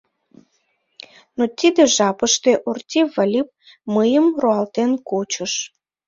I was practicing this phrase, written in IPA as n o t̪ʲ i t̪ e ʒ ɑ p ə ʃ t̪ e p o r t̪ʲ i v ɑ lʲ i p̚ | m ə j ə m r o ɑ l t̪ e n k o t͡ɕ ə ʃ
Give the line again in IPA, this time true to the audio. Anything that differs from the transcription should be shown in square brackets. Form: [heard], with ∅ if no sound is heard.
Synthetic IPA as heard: n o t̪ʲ i [d̪] e ʒ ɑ p ə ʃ t̪ e [ʔ] o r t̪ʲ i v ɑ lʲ i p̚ | m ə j ə m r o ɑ l t̪ e n k o t͡ɕ ə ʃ